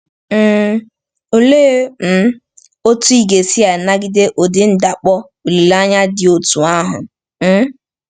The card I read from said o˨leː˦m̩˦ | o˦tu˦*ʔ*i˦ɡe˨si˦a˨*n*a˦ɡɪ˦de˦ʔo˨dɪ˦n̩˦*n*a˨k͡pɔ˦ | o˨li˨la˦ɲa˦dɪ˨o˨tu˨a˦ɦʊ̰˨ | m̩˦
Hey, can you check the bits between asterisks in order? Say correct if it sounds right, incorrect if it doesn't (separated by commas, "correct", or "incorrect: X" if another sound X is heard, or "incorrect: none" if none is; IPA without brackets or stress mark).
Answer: incorrect: none, correct, incorrect: d